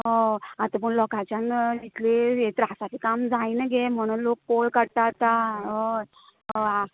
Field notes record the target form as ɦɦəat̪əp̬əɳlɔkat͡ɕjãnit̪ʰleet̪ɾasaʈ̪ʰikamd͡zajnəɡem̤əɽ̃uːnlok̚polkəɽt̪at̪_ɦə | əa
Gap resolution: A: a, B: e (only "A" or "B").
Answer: A